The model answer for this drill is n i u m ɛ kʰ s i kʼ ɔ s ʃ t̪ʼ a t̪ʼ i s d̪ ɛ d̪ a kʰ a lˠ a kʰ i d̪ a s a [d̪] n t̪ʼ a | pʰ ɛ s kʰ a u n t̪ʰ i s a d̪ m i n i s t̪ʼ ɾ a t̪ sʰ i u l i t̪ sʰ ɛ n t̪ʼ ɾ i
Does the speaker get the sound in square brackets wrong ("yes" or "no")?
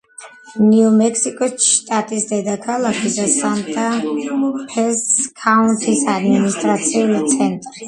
yes